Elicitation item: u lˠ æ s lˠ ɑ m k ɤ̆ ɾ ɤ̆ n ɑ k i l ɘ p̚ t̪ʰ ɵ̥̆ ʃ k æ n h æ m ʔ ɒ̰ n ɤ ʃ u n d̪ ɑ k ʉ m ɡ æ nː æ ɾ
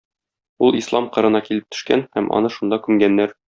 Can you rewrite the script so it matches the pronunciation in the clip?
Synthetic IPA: u lˠ i s lˠ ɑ m q ɤ̆ ɾ ɤ̆ n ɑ k i l ɘ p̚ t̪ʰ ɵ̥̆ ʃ k æ n h æ m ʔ ɒ̰ n ɤ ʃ u n d̪ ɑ k ʉ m ɡ æ nː æ ɾ

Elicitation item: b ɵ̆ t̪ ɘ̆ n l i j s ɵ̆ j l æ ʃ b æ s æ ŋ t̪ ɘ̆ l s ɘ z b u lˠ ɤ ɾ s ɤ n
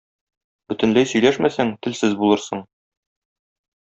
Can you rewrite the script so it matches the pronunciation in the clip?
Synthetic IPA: b ɵ̆ t̪ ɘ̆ n l æ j s ɵ̆ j l æ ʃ m æ s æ ŋ t̪ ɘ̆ l s ɘ z b u lˠ ɤ ɾ s ɤ ɴ

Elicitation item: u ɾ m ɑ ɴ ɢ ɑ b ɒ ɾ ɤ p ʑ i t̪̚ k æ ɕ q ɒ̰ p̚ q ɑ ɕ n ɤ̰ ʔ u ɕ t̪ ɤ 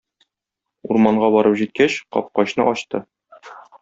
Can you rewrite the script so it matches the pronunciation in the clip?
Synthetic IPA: u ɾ m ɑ ɴ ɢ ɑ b ɒ ɾ ɤ p ʑ i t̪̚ k æ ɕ q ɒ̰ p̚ q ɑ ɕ n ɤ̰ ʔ ɒ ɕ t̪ ɤ

